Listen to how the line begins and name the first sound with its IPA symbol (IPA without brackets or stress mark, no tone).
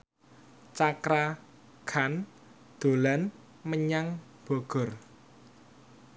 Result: t͡ʃ